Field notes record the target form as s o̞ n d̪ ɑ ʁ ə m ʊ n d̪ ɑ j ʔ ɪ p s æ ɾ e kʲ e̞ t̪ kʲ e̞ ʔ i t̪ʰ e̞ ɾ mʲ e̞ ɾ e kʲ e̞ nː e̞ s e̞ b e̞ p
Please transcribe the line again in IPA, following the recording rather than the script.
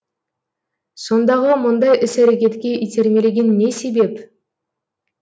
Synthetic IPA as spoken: s o̞ n d̪ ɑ ʁ ə m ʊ n d̪ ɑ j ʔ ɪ s æ ɾ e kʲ e̞ t̪ kʲ e̞ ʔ i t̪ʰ e̞ ɾ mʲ e̞ l e ɡʲ e̞ nː e̞ s e̞ b e̞ p